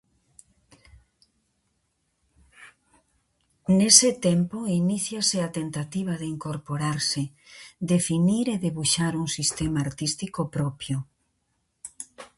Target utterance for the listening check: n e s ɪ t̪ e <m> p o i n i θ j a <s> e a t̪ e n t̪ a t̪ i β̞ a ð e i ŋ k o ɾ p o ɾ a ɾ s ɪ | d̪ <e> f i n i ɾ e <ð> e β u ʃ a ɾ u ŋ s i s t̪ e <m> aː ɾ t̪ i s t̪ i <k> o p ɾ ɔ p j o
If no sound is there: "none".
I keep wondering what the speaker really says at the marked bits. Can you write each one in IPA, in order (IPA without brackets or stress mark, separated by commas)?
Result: m, s, e, ð, m, k